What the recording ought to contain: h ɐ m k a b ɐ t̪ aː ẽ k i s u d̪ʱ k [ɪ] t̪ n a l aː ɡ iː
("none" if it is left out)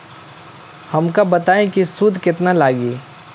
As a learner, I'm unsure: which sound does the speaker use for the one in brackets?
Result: ɪ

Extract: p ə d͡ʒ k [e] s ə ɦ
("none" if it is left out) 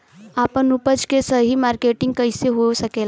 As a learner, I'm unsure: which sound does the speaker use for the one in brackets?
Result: e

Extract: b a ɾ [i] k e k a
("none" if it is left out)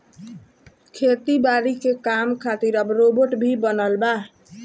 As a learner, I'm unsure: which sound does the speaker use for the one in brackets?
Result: i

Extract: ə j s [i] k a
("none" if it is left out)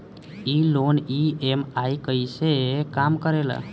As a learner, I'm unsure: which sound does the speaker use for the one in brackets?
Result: e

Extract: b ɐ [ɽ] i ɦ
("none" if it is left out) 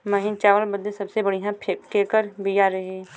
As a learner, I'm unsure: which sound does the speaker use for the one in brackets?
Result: ɽ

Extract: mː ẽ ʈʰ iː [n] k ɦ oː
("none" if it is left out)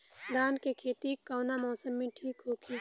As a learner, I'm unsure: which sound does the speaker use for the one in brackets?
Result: none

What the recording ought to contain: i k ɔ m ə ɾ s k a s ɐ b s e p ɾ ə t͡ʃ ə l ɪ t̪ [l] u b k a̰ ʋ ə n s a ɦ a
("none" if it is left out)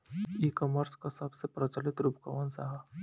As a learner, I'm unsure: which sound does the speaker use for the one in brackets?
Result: ɾ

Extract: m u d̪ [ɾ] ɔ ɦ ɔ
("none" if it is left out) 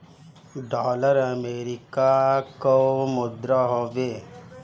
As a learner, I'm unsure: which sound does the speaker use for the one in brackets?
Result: ɾ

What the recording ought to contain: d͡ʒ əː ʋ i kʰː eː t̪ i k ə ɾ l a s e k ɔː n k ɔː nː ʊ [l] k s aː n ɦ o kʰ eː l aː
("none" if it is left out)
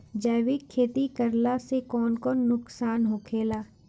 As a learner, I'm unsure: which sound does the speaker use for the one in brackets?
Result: none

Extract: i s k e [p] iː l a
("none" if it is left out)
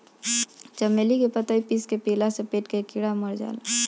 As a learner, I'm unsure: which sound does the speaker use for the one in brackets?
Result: p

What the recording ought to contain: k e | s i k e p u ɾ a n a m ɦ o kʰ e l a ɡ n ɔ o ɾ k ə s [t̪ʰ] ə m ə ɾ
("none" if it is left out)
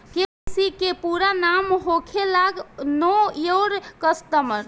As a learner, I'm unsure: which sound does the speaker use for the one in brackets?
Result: t̪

